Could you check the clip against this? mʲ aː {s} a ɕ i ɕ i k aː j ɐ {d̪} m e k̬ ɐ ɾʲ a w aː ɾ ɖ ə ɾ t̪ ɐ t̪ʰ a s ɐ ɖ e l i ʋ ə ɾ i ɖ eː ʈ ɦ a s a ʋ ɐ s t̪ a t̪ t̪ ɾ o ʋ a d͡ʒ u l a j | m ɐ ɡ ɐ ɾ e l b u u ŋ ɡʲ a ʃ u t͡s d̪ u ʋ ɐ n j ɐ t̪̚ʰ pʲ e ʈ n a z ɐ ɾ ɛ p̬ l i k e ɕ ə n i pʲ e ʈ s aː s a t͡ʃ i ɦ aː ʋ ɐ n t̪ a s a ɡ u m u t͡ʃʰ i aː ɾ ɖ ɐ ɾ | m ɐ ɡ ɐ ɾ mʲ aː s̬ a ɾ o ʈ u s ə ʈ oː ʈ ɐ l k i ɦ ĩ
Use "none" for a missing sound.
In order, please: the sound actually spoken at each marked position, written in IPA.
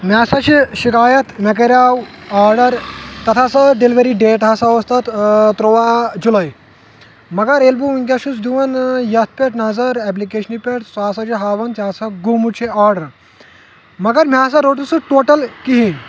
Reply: s, t̪

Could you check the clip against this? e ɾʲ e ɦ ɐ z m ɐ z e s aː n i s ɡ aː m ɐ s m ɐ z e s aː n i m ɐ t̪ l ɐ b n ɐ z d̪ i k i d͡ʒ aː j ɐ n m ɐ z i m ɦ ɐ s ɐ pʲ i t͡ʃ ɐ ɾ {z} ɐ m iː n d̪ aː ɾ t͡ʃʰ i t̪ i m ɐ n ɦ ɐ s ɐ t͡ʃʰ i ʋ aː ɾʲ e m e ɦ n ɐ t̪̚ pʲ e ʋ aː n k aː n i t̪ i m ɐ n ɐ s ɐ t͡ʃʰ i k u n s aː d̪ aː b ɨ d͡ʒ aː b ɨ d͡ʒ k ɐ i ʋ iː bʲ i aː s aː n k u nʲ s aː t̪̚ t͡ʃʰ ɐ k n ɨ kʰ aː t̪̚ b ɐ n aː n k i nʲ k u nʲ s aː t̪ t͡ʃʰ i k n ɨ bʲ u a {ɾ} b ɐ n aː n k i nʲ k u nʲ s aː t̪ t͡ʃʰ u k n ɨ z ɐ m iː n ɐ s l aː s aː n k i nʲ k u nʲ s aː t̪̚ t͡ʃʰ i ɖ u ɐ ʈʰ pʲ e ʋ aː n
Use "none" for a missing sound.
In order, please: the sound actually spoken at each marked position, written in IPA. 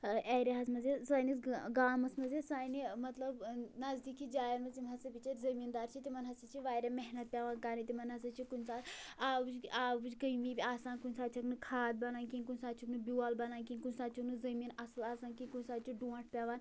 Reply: z, l

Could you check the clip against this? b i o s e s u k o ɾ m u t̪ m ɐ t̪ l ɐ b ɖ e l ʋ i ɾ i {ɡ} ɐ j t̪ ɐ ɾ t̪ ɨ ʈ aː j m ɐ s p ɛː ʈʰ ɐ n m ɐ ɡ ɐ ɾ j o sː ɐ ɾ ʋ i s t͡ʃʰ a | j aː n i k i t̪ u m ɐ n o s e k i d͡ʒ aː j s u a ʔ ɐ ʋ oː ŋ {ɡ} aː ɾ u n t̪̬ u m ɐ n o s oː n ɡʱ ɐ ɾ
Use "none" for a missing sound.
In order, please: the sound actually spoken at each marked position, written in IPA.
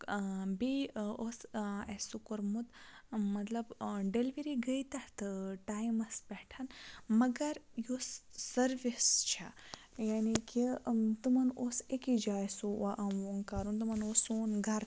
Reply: ɡ, k

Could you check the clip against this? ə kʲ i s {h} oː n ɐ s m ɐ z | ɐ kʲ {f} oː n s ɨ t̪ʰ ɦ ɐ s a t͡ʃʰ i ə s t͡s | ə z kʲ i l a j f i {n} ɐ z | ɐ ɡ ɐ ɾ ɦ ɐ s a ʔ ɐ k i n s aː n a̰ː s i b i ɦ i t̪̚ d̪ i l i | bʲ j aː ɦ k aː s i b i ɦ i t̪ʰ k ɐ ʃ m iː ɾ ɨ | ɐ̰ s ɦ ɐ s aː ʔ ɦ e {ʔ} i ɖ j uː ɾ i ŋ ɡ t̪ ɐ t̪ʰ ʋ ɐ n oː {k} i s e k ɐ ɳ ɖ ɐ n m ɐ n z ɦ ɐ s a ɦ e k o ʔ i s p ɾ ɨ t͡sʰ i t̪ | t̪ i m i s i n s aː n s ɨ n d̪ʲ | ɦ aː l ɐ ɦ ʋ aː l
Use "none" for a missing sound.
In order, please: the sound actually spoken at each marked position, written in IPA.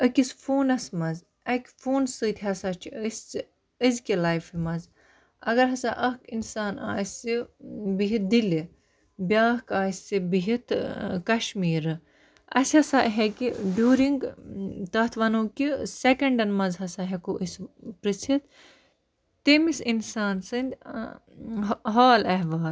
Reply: f, f, m, k, k

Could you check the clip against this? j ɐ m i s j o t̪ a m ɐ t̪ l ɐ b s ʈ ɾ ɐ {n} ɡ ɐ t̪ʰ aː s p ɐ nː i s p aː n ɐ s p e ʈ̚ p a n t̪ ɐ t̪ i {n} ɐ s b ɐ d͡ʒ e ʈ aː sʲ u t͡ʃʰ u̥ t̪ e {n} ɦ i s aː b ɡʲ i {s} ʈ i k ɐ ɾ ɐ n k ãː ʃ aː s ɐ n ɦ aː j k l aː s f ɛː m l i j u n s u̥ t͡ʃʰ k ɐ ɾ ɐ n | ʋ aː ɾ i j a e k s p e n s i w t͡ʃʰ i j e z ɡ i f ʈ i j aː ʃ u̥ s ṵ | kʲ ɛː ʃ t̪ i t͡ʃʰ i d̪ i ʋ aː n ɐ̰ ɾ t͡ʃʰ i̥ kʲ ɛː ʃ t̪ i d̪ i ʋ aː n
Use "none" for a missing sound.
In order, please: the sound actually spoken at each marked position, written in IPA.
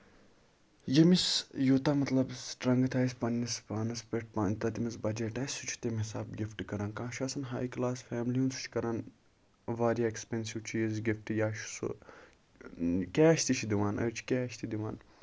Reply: ŋ, m, m, f

